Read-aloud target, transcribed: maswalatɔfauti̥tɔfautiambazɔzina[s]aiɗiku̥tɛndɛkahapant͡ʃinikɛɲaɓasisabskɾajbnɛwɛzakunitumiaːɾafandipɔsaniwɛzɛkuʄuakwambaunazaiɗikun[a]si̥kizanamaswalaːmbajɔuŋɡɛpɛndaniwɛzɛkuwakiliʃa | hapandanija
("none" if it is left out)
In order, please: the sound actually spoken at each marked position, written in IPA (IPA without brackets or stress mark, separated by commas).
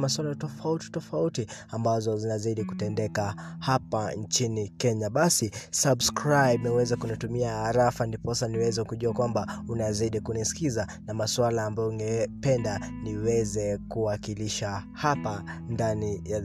z, i